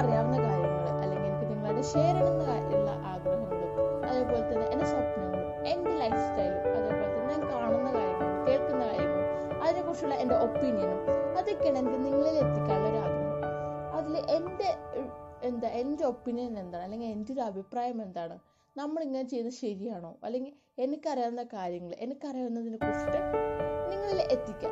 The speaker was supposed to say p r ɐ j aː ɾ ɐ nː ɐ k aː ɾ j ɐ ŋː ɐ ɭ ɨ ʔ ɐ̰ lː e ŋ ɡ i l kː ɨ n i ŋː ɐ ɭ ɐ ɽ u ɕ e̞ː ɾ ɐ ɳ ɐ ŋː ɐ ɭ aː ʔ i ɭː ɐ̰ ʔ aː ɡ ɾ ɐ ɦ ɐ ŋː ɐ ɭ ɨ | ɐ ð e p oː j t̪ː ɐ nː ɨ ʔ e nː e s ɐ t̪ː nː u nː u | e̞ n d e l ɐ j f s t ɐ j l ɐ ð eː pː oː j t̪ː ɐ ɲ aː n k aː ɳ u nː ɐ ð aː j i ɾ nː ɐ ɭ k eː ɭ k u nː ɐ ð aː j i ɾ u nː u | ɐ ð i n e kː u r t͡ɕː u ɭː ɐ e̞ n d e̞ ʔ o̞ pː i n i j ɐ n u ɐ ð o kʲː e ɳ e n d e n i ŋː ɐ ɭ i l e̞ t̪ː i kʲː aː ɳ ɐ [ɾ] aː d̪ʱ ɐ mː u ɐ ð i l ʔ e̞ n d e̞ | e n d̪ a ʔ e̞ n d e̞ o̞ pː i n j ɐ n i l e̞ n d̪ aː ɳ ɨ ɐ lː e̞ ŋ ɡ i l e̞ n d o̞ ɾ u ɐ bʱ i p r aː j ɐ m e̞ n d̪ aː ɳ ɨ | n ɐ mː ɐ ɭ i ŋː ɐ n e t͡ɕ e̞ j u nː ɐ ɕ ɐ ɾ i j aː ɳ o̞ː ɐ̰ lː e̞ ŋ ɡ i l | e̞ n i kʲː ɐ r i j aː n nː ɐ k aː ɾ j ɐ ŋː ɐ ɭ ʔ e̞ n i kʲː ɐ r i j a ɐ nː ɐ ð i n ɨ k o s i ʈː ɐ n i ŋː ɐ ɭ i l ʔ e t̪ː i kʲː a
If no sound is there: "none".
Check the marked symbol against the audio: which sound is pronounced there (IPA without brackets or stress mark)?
ɾ